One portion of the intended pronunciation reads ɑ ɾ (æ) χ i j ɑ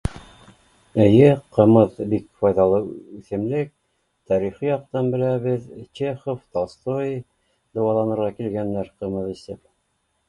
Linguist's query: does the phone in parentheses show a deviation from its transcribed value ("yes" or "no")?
yes